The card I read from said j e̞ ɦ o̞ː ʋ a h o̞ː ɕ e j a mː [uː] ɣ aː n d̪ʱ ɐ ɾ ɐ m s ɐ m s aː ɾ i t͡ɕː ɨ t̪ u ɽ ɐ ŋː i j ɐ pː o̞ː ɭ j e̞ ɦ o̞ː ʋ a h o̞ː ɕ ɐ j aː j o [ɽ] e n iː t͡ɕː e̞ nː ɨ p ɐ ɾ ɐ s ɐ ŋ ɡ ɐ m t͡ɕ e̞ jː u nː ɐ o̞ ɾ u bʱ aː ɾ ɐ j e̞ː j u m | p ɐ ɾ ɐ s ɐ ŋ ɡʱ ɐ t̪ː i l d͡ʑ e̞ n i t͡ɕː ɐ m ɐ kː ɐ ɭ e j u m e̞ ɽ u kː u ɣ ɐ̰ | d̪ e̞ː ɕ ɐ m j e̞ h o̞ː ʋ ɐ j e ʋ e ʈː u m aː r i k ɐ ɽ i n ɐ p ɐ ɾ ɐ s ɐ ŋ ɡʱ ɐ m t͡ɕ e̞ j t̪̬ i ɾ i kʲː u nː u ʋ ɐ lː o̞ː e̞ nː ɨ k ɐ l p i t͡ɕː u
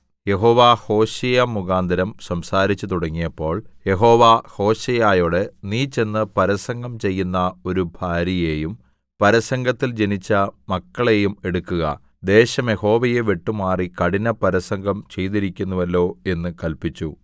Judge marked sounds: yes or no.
no, yes

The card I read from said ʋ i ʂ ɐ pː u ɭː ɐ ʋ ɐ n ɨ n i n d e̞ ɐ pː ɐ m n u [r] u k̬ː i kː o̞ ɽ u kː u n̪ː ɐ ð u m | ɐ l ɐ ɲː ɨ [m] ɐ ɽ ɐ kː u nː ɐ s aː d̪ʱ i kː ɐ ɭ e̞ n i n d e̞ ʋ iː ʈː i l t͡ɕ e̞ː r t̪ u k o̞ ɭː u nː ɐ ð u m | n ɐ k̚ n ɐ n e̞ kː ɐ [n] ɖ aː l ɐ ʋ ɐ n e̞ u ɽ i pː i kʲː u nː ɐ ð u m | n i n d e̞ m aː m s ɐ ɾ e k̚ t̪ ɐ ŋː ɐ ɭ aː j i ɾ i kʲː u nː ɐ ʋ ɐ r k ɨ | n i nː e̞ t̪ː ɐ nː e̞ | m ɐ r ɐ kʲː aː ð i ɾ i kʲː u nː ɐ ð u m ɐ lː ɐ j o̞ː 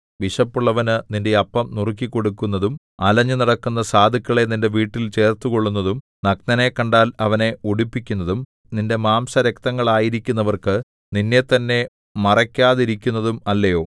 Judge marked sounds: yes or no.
yes, no, no

